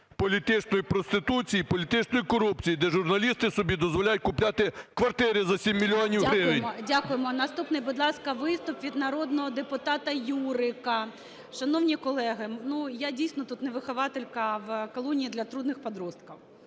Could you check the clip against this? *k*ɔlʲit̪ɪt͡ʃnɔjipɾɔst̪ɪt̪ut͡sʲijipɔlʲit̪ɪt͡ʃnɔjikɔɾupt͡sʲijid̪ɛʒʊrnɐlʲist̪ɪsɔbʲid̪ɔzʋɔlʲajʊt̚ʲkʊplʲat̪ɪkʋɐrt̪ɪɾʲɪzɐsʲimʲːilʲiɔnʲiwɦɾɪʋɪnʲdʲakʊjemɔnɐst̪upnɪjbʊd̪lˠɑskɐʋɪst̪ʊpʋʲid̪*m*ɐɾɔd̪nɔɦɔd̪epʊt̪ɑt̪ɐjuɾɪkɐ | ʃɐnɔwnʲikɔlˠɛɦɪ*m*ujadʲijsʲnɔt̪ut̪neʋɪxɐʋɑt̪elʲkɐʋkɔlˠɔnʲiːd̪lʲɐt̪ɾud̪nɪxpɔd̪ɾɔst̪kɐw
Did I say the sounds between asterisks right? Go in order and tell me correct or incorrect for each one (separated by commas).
incorrect, incorrect, incorrect